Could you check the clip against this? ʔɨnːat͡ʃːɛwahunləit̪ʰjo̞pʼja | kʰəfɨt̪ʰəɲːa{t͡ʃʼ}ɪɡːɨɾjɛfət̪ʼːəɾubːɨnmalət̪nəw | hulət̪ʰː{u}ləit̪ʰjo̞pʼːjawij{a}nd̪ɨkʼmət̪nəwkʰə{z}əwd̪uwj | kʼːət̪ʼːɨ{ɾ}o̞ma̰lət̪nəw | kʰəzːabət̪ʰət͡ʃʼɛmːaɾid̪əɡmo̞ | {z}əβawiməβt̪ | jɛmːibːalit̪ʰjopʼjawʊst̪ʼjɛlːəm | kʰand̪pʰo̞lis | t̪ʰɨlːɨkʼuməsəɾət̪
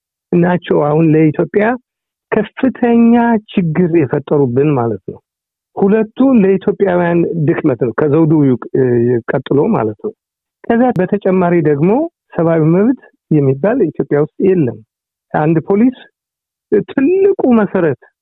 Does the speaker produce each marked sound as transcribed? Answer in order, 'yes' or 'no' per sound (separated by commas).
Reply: no, yes, yes, yes, no, no